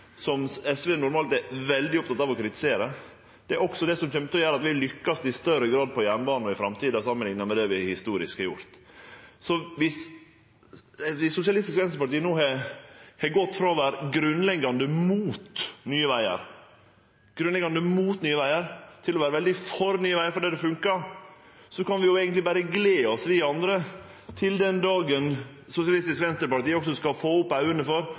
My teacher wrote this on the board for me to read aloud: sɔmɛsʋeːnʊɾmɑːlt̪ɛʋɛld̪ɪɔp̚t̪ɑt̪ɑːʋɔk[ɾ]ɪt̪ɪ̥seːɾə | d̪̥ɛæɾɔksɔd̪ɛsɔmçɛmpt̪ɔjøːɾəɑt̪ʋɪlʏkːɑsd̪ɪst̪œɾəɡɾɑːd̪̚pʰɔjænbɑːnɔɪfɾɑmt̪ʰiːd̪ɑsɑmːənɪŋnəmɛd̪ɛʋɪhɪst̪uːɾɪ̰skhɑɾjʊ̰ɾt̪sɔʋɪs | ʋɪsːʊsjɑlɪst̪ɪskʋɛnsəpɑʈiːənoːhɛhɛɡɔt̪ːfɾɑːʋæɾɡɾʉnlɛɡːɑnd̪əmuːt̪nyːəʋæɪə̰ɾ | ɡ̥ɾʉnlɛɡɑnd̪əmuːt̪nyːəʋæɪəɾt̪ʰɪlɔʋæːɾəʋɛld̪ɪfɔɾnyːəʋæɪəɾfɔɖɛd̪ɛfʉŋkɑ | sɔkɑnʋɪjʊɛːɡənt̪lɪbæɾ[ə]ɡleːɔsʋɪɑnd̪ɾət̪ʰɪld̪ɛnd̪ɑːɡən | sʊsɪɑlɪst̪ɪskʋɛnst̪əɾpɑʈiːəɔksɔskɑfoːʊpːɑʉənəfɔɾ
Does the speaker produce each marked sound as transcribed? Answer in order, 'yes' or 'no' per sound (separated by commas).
yes, yes